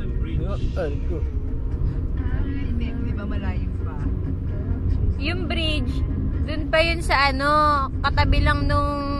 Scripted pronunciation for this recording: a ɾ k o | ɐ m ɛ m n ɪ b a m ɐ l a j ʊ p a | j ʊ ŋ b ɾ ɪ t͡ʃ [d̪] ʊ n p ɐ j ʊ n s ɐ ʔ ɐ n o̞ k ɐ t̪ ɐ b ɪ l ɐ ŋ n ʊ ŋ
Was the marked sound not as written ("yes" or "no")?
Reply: no